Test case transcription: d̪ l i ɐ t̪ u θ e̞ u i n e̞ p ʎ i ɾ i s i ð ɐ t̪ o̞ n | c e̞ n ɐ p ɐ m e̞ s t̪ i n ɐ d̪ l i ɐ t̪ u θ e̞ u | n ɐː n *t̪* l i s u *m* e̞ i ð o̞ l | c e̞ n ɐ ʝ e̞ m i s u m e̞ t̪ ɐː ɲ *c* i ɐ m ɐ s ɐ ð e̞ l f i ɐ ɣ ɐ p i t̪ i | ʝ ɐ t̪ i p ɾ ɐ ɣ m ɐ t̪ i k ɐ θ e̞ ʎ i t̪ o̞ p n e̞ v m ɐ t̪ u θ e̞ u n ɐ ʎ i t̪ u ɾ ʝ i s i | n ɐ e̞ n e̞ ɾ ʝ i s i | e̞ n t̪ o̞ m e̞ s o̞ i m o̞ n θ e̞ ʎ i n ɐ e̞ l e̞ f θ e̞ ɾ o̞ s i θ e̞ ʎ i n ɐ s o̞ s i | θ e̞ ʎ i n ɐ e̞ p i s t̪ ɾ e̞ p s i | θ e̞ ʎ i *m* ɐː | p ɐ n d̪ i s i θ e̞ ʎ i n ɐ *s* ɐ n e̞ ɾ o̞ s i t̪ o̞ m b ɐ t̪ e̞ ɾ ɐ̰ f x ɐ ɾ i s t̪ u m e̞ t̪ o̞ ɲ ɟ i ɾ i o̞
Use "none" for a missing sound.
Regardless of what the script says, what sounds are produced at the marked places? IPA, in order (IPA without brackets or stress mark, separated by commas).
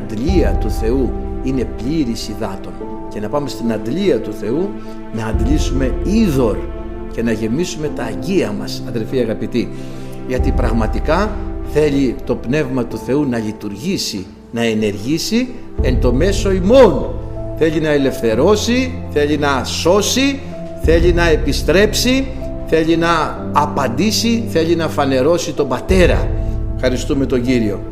d̪, m, ɟ, n, f